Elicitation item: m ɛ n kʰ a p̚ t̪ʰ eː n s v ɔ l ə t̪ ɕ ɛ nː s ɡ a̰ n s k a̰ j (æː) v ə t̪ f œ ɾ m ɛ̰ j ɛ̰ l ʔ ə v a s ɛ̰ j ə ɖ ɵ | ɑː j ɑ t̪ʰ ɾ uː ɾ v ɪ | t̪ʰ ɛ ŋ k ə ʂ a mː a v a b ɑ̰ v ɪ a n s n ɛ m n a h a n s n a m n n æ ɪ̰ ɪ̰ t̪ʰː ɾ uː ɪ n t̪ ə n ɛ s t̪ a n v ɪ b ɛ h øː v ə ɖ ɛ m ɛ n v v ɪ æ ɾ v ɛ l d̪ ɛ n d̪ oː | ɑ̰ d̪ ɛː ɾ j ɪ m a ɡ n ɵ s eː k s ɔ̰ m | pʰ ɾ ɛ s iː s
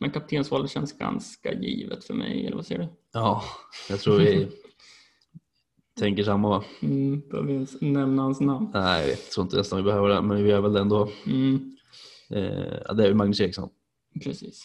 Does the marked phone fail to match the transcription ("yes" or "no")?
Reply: yes